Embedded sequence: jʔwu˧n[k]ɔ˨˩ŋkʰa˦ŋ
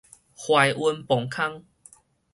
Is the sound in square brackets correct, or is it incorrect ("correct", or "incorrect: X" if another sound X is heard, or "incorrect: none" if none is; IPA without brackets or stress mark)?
incorrect: p